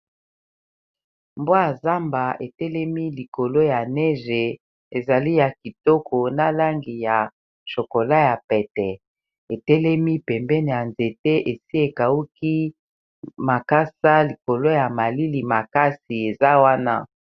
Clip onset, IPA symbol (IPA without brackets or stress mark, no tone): m